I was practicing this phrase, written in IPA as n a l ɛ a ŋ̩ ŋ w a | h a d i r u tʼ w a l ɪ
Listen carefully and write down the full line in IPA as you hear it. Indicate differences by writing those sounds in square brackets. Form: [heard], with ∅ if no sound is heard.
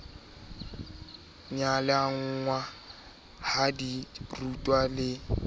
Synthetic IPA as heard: [ɲ] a l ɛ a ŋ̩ ŋ w a | h a d i r u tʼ w a l ɪ